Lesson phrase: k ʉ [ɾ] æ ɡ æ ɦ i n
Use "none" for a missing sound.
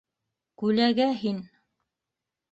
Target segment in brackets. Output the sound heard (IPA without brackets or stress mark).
l